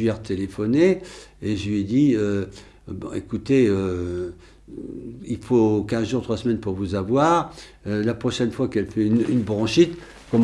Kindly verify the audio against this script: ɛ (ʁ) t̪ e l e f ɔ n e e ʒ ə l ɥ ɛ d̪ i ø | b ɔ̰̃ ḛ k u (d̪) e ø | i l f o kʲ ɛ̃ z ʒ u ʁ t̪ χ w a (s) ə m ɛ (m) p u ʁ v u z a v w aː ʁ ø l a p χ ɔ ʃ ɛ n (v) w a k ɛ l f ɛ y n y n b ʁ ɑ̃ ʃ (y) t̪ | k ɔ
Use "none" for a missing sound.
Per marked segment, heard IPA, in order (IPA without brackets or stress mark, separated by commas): ʁ, t̪, s, n, f, i